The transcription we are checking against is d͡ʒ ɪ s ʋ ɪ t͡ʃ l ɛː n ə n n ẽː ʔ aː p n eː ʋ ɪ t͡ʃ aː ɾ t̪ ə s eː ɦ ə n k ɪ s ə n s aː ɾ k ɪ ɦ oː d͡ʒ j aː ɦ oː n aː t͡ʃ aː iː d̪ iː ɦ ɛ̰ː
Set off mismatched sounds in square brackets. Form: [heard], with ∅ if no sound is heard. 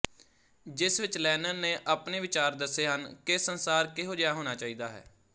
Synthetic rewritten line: d͡ʒ ɪ s ʋ ɪ t͡ʃ l ɛː n ə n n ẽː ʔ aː p n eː ʋ ɪ t͡ʃ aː ɾ [d̪] ə s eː ɦ ə n k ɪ s ə n s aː ɾ k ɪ ɦ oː d͡ʒ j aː ɦ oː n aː t͡ʃ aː iː d̪ [aː] ɦ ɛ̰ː